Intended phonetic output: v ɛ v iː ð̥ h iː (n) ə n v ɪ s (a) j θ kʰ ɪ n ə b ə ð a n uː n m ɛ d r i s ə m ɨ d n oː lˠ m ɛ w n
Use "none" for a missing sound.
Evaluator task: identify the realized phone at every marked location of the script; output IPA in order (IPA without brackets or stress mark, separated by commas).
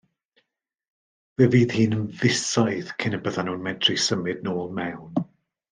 n, a